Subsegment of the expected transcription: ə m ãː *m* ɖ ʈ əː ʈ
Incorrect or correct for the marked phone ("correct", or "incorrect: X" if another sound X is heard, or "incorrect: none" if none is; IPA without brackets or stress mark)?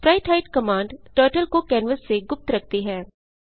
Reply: incorrect: ɳ